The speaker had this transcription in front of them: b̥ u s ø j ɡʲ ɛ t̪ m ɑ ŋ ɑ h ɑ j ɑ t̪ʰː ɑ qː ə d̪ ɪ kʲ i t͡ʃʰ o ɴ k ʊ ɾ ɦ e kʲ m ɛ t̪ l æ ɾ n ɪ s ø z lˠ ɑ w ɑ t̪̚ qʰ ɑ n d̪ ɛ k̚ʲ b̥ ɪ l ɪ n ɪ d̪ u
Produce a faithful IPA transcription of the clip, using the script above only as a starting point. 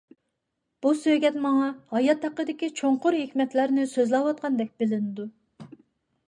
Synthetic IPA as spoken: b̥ u s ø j ɡʲ ɛ t̪ m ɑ ŋ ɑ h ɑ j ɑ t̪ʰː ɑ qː ə d̪ ɪ kʲ i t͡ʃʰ o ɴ q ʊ ɾ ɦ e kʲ m ɛ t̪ l æ ɾ n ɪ s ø z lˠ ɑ w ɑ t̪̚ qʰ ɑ n d̪ ɛ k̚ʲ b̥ ɪ l ɪ n ɪ d̪ u